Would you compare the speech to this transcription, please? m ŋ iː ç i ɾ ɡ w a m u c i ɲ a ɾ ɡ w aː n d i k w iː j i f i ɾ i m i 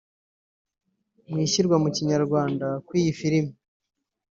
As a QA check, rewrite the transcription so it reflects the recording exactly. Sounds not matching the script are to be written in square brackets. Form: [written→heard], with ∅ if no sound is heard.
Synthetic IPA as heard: m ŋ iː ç i ɾ ɡ w a m u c i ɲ a ɾ ɡ w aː n d [i→a] k w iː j i f i ɾ i m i